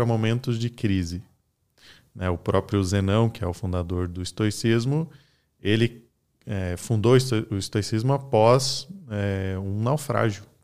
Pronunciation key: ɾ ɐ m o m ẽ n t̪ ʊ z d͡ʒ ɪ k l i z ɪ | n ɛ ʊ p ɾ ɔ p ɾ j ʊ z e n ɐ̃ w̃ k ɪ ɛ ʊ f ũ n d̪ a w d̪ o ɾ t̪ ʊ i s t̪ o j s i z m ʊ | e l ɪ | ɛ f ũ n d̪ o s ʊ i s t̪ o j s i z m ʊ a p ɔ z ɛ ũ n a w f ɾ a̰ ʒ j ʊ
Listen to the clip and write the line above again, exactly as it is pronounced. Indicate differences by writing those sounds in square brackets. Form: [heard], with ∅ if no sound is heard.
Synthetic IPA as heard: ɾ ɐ m o m ẽ n t̪ ʊ z d͡ʒ ɪ k [ɾ] i z ɪ | n ɛ ʊ p ɾ ɔ p ɾ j ʊ z e n ɐ̃ w̃ k ɪ ɛ ʊ f ũ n d̪ a [∅] d̪ o ɾ [d̪] ʊ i s t̪ o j s i z m ʊ | e l ɪ | ɛ f ũ n d̪ o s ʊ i s t̪ o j s i z m ʊ a p ɔ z ɛ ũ n a w f ɾ a̰ ʒ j ʊ